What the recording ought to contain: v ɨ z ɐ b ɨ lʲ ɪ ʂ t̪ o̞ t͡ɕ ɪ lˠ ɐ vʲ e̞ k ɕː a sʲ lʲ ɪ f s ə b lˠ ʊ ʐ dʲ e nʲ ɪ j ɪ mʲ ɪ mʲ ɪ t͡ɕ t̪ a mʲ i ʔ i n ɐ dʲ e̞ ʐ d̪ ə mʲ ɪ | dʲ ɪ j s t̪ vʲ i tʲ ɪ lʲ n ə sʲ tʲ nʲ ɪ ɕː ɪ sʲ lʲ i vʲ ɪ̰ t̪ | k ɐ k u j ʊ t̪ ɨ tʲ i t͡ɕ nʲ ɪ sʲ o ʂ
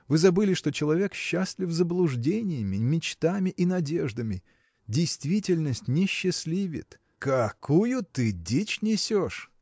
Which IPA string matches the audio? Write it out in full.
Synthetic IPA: v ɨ z ɐ b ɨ lʲ ɪ ʂ t̪ o̞ t͡ɕ ɪ lˠ ɐ vʲ e̞ k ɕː a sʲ lʲ ɪ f z ə b lˠ ʊ ʐ dʲ e nʲ ɪ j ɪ mʲ ɪ mʲ ɪ t͡ɕ t̪ a mʲ ɪ ʔ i n ɐ dʲ e̞ ʐ d̪ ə mʲ ɪ | dʲ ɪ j s t̪ vʲ i tʲ ɪ lʲ n ə sʲ tʲ nʲ ɪ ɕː ɪ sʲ lʲ i vʲ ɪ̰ t̪ | k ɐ k u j ʊ t̪ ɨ dʲ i t͡ɕ nʲ ɪ sʲ o ʂ